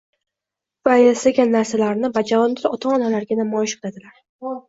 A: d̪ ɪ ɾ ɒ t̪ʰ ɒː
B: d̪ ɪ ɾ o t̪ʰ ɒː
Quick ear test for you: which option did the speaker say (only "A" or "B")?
A